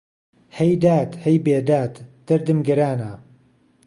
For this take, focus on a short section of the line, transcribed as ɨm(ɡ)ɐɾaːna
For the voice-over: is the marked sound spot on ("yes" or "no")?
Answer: yes